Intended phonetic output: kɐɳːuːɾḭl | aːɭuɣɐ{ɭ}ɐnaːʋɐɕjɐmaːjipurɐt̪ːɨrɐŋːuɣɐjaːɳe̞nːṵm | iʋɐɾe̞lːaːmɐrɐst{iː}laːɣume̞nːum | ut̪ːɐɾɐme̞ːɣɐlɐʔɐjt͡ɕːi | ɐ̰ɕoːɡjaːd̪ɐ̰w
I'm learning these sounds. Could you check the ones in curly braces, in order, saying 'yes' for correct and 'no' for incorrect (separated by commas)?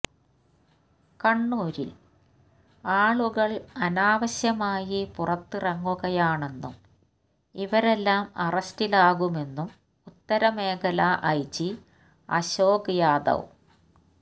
yes, no